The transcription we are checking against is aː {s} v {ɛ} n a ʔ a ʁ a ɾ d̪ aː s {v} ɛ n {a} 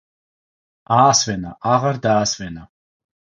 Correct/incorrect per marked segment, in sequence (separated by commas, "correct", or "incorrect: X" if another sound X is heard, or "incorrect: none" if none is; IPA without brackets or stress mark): correct, correct, correct, correct